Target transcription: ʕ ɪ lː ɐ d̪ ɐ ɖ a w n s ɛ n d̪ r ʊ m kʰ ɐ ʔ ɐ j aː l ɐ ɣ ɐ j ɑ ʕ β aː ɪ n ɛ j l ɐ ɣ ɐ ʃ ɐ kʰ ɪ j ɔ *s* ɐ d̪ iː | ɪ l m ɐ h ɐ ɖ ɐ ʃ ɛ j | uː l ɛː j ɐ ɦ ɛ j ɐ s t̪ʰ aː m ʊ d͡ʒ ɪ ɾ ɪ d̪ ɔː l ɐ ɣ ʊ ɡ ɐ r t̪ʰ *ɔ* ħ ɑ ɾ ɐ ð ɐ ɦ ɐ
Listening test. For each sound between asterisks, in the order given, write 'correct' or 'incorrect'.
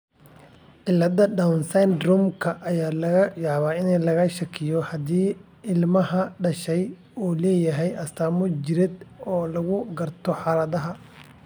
incorrect: h, correct

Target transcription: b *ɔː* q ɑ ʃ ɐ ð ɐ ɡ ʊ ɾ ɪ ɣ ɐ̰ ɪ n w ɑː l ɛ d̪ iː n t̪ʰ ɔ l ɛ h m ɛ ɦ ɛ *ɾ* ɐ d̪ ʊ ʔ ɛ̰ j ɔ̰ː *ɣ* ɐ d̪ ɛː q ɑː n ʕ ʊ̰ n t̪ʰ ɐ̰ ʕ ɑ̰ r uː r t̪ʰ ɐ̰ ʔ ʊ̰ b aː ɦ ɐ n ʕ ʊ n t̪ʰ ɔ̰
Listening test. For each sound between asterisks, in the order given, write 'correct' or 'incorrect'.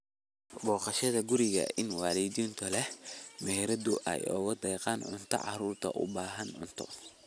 correct, correct, correct

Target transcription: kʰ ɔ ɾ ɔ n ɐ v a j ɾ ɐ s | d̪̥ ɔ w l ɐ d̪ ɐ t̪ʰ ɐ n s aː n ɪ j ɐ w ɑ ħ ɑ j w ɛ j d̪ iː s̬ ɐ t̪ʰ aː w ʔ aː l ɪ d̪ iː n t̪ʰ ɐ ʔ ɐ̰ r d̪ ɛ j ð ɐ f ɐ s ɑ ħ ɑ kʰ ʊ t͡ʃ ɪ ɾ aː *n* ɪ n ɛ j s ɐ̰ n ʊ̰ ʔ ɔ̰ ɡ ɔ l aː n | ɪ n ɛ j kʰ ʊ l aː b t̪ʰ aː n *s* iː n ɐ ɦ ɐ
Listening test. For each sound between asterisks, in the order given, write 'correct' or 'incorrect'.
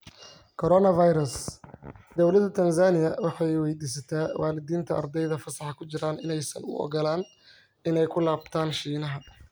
correct, incorrect: ʃ

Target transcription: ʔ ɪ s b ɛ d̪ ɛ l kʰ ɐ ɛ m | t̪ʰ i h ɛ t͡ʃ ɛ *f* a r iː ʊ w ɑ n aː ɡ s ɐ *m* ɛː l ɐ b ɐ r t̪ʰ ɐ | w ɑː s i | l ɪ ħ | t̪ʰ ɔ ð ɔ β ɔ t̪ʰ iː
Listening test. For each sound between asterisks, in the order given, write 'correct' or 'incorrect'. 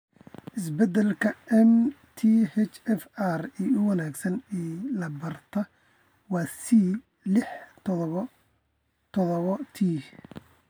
correct, incorrect: n

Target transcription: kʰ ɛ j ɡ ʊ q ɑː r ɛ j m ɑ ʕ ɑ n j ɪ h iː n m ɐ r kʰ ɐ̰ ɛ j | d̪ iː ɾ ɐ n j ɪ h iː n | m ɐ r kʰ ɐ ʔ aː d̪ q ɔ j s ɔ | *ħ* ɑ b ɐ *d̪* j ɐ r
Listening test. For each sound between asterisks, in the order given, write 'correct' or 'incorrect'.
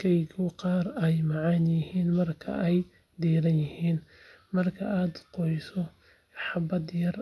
correct, correct

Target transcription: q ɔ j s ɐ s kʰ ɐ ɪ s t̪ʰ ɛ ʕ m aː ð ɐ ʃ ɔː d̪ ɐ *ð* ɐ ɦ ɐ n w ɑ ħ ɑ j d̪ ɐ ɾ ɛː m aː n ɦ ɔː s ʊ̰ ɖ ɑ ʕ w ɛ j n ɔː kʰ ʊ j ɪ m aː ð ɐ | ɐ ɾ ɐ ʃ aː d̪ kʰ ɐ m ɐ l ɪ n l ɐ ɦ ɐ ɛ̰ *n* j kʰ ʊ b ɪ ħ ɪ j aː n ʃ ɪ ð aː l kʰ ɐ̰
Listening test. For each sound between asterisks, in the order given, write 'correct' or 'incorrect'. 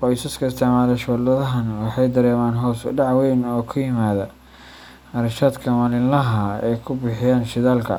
correct, incorrect: none

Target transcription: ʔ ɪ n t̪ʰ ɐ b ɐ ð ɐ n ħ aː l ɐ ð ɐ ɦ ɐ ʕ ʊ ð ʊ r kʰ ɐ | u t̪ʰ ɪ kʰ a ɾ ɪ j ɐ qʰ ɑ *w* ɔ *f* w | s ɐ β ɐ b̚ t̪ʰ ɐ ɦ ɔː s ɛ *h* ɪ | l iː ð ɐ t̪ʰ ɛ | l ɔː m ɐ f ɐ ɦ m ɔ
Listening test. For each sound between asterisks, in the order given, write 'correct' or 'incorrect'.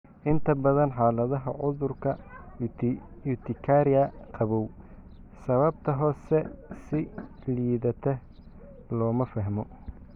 incorrect: β, incorrect: none, incorrect: s

